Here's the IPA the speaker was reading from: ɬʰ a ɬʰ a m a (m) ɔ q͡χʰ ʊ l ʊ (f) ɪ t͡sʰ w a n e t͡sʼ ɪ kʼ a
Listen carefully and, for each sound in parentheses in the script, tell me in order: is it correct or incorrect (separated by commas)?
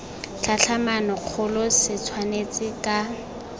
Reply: incorrect, incorrect